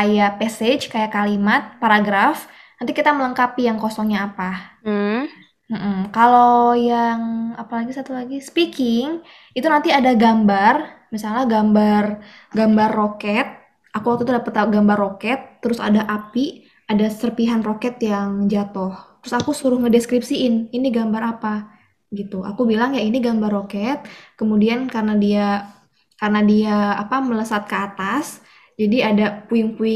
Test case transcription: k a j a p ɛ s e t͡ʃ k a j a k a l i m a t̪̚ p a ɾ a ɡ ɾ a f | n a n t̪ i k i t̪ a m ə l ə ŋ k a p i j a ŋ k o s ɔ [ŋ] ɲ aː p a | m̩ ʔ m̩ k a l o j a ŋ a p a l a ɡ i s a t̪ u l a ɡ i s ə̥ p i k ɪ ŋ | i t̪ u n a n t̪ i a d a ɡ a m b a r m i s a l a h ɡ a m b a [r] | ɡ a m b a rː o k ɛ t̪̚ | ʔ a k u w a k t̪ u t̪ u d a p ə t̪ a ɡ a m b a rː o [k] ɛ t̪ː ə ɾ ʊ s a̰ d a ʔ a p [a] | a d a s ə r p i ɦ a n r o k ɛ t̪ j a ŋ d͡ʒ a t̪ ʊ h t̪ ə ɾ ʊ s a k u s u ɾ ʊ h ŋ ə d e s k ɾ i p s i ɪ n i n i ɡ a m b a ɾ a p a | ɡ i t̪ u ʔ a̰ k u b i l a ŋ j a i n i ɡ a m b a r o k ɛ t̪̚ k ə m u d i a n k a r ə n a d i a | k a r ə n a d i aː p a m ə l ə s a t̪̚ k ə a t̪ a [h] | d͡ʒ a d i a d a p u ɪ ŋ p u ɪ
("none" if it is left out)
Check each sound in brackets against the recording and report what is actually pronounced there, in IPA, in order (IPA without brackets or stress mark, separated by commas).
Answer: ŋ, r, k, i, s